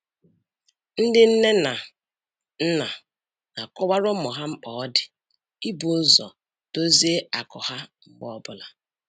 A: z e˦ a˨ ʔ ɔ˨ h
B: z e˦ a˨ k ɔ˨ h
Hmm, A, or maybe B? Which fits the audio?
B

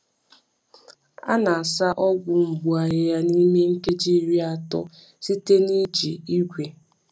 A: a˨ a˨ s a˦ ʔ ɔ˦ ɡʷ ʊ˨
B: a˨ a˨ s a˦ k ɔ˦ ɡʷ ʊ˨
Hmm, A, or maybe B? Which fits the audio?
A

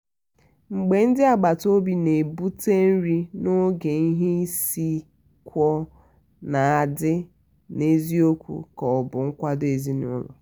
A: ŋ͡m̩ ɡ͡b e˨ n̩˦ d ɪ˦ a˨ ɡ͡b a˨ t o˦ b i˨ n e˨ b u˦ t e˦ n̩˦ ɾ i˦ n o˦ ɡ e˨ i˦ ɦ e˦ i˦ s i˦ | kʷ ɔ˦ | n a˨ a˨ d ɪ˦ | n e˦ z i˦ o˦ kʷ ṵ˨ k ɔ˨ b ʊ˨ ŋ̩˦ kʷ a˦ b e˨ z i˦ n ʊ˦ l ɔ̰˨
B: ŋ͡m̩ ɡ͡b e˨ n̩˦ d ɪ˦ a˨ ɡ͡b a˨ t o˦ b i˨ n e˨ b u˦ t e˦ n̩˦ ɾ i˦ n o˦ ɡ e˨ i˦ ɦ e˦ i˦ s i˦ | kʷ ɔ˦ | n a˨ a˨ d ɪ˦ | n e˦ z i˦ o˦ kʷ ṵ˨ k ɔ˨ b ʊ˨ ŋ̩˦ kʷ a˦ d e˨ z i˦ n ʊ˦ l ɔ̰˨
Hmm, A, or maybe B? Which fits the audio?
B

